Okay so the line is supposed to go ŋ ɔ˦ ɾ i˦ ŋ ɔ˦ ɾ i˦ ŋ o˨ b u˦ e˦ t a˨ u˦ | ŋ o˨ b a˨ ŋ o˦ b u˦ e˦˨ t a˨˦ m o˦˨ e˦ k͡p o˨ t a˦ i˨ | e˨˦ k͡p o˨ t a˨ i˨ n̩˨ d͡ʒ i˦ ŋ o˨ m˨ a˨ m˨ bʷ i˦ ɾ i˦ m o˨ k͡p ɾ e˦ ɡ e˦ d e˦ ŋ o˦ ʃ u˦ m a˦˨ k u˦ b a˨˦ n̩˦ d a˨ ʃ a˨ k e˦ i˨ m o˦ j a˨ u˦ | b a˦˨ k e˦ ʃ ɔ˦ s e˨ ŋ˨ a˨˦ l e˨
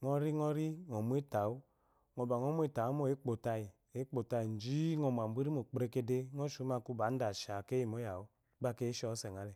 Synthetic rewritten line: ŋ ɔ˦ ɾ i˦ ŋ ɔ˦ ɾ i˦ ŋ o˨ m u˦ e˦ t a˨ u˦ | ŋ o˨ b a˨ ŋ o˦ m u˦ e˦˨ t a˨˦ m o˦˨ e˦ k͡p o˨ t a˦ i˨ | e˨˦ k͡p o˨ t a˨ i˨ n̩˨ d͡ʒ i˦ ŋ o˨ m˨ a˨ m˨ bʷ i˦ ɾ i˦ m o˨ k͡p ɾ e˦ k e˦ d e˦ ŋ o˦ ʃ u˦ m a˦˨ k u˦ b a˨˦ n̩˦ d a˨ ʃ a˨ k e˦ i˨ m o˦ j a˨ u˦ | b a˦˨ k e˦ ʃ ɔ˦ s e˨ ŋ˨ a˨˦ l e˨

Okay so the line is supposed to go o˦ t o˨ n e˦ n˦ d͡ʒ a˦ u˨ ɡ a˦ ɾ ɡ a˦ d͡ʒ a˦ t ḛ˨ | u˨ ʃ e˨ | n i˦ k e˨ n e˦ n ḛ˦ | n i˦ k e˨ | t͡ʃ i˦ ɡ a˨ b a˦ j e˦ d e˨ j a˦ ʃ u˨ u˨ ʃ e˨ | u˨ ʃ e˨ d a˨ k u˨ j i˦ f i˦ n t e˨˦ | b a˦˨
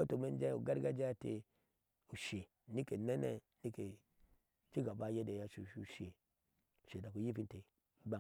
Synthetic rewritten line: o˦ t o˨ m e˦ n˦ d͡ʒ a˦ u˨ ɡ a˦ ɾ ɡ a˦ d͡ʒ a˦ t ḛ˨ | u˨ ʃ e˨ | n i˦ k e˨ n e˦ n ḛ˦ | n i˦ k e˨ | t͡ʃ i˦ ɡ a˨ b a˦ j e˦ d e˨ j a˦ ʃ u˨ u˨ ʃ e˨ | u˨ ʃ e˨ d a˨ k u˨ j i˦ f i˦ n t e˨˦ | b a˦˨

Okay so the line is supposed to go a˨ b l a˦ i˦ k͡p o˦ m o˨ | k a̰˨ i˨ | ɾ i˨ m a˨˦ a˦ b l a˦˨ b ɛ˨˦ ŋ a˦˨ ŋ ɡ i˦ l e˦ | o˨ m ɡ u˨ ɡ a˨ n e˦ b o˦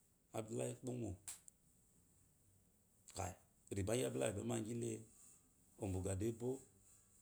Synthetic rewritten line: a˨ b l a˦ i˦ k͡p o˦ m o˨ | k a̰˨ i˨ | ɾ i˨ b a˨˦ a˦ b l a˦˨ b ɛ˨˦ m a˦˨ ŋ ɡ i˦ l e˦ | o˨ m b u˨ ɡ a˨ d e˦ b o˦

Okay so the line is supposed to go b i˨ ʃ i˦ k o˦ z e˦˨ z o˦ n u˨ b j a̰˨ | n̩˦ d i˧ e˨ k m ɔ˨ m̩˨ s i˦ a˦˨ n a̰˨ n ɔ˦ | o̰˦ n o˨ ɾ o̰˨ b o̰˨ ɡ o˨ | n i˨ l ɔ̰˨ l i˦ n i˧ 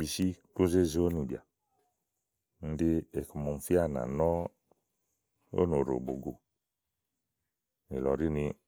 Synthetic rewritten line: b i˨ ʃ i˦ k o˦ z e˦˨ z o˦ n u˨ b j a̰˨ | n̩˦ d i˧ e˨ k m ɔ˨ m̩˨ f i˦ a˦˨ n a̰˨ n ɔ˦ | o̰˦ n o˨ ɾ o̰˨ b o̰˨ ɡ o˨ | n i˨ l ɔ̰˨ ɾ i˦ n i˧

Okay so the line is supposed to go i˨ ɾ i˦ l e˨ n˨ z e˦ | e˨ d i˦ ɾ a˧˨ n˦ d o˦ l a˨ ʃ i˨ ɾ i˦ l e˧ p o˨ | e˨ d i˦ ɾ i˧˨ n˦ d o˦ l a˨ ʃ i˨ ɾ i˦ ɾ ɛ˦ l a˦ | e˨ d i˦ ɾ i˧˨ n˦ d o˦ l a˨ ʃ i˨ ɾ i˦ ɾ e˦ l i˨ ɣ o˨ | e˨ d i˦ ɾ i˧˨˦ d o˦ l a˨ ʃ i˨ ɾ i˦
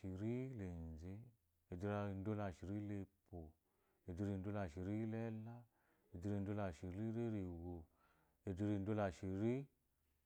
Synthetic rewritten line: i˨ ɾ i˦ l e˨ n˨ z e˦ | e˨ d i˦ ɾ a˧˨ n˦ d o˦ l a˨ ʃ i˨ ɾ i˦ l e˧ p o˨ | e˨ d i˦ ɾ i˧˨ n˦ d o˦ l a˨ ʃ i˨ ɾ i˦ l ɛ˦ l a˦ | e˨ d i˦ ɾ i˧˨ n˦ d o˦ l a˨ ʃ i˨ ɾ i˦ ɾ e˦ ɾ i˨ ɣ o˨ | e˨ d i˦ ɾ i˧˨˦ d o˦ l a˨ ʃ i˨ ɾ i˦

